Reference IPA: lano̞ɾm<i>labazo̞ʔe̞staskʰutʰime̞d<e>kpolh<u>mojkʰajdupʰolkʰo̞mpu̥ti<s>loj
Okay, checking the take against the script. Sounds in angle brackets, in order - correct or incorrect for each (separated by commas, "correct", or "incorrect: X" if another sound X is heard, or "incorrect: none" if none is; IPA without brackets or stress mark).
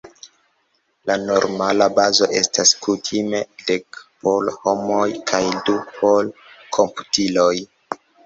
incorrect: a, correct, incorrect: o, incorrect: none